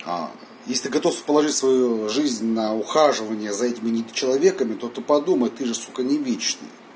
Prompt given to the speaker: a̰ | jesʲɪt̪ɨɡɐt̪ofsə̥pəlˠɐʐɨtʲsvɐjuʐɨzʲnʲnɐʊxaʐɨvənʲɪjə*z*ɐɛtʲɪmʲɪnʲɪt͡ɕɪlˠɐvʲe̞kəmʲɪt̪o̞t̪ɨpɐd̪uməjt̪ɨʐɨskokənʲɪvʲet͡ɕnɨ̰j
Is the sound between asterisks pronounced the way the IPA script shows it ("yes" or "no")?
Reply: yes